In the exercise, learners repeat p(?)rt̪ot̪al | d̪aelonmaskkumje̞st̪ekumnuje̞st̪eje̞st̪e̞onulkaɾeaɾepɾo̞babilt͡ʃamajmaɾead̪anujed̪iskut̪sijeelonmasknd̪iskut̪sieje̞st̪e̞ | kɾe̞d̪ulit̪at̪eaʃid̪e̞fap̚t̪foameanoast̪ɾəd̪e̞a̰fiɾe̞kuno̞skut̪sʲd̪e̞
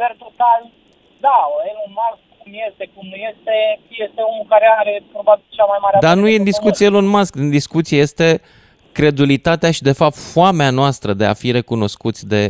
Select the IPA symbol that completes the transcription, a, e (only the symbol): e